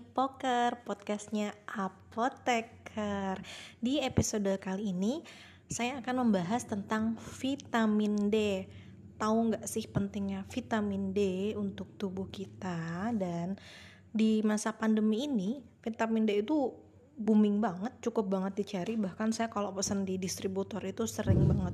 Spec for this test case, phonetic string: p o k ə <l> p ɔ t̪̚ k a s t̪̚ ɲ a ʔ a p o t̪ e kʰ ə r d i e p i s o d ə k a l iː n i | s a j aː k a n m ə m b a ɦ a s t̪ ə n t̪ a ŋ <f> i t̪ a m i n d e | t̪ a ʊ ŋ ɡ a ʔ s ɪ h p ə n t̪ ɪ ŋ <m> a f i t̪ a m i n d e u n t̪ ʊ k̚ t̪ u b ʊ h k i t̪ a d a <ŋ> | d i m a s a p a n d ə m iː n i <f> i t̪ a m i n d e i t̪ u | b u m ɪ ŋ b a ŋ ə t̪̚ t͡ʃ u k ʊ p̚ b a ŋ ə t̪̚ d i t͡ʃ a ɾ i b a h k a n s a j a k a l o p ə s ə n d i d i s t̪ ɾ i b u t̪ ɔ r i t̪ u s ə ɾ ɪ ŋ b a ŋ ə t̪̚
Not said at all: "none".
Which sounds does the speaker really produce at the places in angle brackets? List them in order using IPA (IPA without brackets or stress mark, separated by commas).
r, f, ɲ, n, f